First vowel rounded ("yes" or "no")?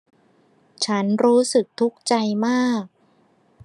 no